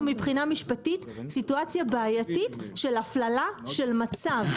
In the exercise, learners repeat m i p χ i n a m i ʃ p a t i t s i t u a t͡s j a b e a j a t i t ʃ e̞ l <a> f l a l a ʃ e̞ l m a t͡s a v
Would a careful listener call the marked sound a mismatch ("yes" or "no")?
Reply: no